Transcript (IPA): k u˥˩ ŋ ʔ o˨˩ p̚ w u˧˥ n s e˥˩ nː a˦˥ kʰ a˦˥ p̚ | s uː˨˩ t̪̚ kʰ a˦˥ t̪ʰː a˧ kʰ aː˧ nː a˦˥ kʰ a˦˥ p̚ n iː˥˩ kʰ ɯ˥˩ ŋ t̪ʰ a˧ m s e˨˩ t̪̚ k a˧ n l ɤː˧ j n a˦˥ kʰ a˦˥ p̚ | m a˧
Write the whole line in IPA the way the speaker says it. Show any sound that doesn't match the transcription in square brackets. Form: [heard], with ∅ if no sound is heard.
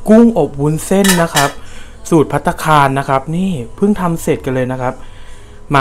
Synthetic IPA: k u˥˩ ŋ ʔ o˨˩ p̚ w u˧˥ n s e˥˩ nː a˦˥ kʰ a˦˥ p̚ | s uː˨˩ t̪̚ [pʰ] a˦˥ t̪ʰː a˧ kʰ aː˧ nː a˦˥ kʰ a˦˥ p̚ n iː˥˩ [pʰ] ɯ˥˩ ŋ t̪ʰ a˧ m s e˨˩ t̪̚ k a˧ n l ɤː˧ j n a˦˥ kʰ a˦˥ p̚ | m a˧